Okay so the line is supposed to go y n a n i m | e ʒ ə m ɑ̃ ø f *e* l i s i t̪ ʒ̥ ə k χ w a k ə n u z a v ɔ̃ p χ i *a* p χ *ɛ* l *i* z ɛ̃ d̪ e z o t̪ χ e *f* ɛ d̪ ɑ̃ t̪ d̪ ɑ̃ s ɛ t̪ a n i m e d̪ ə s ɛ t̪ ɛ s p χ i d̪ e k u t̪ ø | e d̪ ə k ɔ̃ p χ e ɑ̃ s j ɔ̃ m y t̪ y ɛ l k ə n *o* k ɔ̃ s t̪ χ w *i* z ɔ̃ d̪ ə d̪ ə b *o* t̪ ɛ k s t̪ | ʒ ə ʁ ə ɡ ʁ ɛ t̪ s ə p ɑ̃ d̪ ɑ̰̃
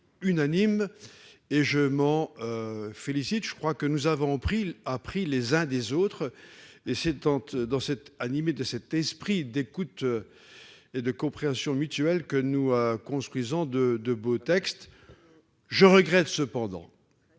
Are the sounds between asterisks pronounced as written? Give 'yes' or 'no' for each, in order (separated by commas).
yes, yes, no, no, no, no, yes, yes